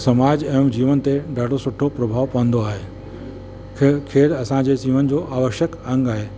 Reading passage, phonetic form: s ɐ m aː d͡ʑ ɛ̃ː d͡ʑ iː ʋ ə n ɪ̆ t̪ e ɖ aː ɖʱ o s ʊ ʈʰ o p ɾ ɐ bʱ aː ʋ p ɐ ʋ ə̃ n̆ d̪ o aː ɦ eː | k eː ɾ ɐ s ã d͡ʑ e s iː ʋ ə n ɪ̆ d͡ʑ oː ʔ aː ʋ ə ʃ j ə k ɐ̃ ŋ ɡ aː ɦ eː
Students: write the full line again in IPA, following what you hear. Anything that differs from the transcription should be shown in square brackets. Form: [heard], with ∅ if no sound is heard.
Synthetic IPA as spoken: s ɐ m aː d͡ʑ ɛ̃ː d͡ʑ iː ʋ ə n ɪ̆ t̪ e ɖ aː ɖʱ o s ʊ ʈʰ o p ɾ ɐ bʱ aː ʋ p ɐ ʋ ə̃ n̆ d̪ o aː ɦ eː | [kʰ] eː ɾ ɐ s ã d͡ʑ e s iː ʋ ə n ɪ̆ d͡ʑ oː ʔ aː ʋ ə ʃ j ə k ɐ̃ ŋ ɡ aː ɦ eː